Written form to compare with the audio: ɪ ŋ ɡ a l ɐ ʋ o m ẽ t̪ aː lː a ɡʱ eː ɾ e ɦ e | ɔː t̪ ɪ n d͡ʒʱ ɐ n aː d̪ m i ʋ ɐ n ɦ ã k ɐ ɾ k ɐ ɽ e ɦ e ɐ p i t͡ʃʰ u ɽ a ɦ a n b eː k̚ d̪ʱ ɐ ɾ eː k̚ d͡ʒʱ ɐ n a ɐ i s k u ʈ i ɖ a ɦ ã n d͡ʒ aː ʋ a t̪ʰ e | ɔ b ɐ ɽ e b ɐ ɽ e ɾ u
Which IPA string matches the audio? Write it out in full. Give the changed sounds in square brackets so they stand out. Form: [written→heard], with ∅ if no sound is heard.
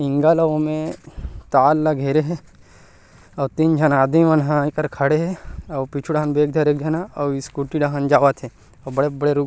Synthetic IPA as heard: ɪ ŋ ɡ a l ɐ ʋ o m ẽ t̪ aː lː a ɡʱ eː ɾ e ɦ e | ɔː t̪ [ɪ→i] n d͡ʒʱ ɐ n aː d̪ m i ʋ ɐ n ɦ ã k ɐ ɾ [k→kʰ] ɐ ɽ e ɦ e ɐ p i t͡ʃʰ u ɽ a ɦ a n b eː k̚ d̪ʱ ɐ ɾ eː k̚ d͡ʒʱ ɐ n a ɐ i s k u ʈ i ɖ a ɦ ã n d͡ʒ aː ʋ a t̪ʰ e | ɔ b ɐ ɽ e b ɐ ɽ e ɾ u